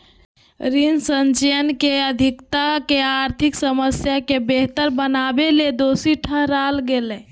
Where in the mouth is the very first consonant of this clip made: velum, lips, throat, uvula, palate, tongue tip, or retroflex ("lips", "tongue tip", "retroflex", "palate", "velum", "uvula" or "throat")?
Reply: tongue tip